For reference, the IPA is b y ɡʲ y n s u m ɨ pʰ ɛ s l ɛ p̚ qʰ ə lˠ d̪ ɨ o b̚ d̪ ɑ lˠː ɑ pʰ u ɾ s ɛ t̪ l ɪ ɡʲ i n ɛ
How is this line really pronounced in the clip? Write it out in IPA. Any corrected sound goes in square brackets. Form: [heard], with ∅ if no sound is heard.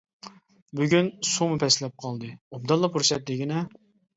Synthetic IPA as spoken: b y ɡʲ y n s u m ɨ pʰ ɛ s l ɛ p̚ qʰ [ɑ] lˠ d̪ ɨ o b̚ d̪ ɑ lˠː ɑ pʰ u ɾ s ɛ t̪ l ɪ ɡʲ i n ɛ